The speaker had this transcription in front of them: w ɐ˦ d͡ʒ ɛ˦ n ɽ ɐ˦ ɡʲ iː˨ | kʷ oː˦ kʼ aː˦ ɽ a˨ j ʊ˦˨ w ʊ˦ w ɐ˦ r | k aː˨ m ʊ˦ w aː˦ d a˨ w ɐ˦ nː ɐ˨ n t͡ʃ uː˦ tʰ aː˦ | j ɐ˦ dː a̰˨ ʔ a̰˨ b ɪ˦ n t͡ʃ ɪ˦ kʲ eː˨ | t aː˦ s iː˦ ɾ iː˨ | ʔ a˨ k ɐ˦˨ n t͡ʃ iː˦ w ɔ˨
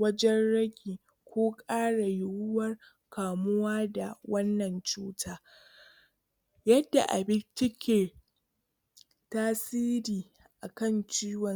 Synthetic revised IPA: w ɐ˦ d͡ʒ ɛ˦ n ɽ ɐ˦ ɡʲ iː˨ | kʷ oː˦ kʼ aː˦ ɽ a˨ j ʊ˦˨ w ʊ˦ w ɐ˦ r | k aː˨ m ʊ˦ w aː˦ d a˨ w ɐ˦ nː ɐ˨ n t͡ʃ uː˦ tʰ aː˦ | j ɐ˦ dː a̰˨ ʔ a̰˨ b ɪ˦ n t͡ʃ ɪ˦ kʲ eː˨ | t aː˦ s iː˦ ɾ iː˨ | ʔ a˨ k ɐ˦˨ n t͡ʃ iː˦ w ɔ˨